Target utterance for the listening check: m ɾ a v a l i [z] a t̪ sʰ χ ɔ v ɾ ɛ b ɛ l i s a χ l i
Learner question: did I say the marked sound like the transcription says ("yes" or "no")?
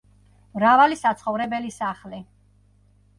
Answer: no